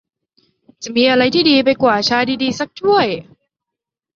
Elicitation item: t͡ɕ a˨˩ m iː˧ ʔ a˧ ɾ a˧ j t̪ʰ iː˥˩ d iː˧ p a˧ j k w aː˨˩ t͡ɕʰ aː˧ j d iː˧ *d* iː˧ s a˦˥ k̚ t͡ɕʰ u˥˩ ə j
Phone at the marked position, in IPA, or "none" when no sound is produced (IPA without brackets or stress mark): d